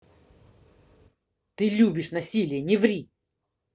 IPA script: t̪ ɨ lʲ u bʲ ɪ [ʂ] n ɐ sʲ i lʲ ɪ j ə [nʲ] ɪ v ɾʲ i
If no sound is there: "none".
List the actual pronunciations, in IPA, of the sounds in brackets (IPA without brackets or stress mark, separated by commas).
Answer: ʂ, nʲ